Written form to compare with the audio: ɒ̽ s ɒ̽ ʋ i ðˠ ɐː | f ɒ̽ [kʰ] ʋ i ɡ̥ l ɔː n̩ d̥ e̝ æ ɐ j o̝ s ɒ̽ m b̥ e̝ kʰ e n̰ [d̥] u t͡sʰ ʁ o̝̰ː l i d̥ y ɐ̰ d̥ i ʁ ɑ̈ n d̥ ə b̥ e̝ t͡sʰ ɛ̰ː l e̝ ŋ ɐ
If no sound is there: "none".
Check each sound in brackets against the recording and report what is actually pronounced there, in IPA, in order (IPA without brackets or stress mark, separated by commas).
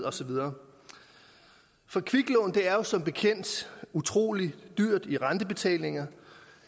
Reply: kʰ, d̥